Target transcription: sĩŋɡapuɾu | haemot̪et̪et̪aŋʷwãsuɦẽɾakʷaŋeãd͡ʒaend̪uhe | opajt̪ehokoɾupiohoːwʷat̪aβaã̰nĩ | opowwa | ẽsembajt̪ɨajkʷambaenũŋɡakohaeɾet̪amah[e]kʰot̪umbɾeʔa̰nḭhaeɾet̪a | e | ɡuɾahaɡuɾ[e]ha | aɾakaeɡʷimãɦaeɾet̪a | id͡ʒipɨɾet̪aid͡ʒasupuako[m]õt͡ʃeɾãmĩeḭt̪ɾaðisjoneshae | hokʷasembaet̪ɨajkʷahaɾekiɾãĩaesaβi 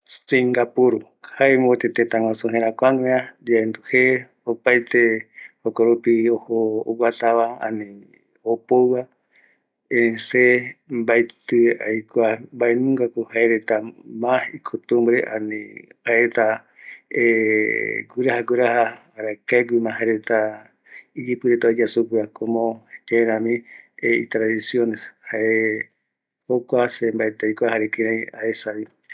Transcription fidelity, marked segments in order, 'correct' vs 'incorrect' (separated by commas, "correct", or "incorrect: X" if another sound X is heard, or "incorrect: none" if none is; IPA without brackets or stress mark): incorrect: i, incorrect: a, correct